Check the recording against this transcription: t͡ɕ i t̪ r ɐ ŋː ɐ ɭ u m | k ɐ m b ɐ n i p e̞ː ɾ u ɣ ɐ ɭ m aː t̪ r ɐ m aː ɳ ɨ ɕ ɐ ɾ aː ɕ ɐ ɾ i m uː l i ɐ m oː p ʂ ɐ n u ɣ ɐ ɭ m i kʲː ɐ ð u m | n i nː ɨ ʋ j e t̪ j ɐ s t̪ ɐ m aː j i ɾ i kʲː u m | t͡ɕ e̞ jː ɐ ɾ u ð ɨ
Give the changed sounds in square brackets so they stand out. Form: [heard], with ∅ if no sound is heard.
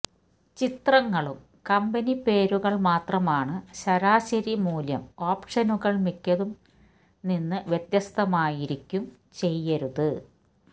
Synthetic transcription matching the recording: t͡ɕ i t̪ r ɐ ŋː ɐ ɭ u m | k ɐ m b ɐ n i p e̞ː ɾ u ɣ ɐ ɭ m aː t̪ r ɐ m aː ɳ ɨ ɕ ɐ ɾ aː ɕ ɐ ɾ i m uː l [j] ɐ m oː p ʂ ɐ n u ɣ ɐ ɭ m i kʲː ɐ ð u m | n i nː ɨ ʋ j e t̪ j ɐ s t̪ ɐ m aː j i ɾ i kʲː u m | t͡ɕ e̞ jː ɐ ɾ u ð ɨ